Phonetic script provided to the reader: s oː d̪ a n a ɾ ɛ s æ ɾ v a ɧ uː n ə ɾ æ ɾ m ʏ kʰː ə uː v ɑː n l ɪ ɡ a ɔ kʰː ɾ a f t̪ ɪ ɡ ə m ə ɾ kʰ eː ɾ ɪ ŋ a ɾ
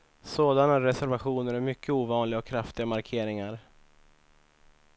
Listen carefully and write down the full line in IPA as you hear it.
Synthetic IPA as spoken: s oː d̪ a n a ɾ ɛ s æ ɾ v a ɧ uː n ə ɾ æ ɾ m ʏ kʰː ə uː v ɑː n l ɪ ɡ a ɔ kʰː ɾ a f t̪ ɪ ɡ a m a ɾ kʰ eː ɾ ɪ ŋ a ɾ

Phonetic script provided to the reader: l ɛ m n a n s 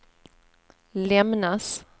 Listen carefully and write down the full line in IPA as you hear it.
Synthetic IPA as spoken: l ɛ m n a s

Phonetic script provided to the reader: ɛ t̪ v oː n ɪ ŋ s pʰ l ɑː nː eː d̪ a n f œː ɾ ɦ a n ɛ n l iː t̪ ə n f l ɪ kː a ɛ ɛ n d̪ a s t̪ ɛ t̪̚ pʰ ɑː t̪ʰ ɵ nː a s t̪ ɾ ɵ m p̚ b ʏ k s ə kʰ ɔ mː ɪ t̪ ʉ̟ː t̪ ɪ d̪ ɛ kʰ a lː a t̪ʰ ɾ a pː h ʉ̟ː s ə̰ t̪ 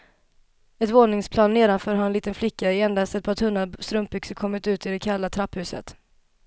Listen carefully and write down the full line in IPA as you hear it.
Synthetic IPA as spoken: ɛ t̪ v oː n ɪ ŋ s pʰ l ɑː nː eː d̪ a n f œː ɾ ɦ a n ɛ n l iː t̪ ə n f l ɪ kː a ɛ ɛ n d̪ a s t̪ ɛ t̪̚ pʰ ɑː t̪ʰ ɵ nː a s t̪ ɾ ɵ m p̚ b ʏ k s ə kʰ ɔ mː ɪ t̪ ʉ̟ː t̪ ɪ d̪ ɛ kʰ a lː a t̪ʰ ɾ a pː h ʉ̟ː s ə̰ t̪

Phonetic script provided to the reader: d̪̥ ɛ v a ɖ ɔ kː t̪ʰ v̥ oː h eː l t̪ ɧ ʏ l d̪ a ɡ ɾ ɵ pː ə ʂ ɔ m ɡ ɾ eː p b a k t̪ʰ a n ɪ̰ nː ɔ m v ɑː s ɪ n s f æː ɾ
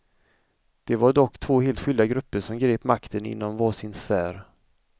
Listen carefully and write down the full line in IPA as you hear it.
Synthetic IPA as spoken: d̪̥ ɛ v a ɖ ɔ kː t̪ʰ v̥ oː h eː l t̪ ɧ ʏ l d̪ a ɡ ɾ ɵ pː ə ʂ ɔ m ɡ ɾ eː p m a k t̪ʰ ə n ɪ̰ nː ɔ m v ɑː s ɪ n s f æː ɾ

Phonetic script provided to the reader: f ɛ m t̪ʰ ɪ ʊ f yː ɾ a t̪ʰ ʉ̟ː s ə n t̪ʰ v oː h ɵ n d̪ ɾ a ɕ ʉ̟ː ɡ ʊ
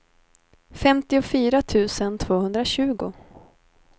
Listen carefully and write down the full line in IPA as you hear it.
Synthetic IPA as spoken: f ɛ m t̪ ɪ ʊ f yː ɾ a t̪ʰ ʉ̟ː s ə n t̪ʰ v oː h ɵ n d̪ ɾ a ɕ ʉ̟ː ɡ ʊ

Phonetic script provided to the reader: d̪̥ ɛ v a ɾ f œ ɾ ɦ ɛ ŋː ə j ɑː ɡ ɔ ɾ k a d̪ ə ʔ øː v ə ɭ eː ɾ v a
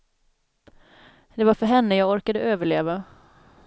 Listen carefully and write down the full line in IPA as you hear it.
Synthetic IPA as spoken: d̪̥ ɛ v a ɾ f œ ɾ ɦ ɛ nː ə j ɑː ɡ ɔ ɾ k a d̪ ə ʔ øː v ə ɭ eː v a

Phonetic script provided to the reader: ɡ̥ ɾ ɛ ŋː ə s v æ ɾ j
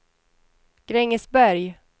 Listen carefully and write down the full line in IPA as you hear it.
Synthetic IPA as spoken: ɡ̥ ɾ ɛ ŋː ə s b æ ɾ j

